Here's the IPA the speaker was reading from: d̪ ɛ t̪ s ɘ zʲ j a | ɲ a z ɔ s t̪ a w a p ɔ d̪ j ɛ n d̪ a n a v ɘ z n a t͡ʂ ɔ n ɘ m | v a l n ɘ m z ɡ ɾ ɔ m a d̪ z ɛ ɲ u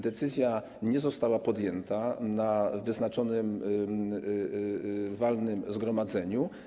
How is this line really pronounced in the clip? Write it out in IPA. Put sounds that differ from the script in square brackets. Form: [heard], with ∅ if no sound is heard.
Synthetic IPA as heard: d̪ ɛ t̪ s ɘ zʲ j a | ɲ [ɛ] z ɔ s t̪ a w a p ɔ d̪ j ɛ n [t̪] a n a v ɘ z n a t͡ʂ ɔ n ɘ m | v a l n ɘ m z ɡ ɾ ɔ m a d̪ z ɛ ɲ u